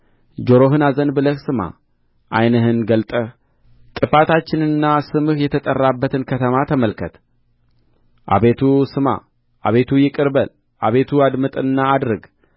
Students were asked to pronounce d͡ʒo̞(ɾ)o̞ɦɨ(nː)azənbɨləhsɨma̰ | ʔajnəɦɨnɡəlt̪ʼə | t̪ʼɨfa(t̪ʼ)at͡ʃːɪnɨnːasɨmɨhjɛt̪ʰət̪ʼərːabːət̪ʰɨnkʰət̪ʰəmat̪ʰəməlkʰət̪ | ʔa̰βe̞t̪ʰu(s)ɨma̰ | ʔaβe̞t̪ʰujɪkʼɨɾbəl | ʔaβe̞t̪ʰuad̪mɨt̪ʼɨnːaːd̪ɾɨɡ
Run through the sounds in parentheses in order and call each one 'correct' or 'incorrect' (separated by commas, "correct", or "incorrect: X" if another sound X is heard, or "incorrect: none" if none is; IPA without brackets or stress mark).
correct, incorrect: n, incorrect: t̪, correct